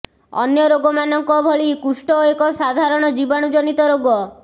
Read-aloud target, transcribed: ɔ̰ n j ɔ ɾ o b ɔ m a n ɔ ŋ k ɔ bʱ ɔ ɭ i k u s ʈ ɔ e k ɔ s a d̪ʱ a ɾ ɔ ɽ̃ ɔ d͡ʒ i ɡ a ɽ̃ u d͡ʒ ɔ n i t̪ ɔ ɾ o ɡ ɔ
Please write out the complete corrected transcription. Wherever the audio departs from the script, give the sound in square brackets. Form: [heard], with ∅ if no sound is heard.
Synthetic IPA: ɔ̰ n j ɔ ɾ o [ɡ] ɔ m a n ɔ ŋ k ɔ bʱ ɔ ɭ i k u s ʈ ɔ e k ɔ s a d̪ʱ a ɾ ɔ ɽ̃ ɔ d͡ʒ i [b] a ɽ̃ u d͡ʒ ɔ n i t̪ ɔ ɾ o ɡ ɔ